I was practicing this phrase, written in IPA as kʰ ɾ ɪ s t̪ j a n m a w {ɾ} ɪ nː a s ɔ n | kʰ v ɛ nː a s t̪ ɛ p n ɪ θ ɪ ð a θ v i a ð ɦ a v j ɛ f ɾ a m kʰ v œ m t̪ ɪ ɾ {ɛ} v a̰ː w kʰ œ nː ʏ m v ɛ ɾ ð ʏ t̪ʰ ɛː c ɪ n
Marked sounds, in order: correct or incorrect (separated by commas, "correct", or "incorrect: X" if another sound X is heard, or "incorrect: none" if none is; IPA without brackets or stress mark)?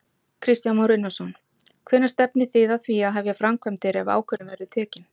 correct, correct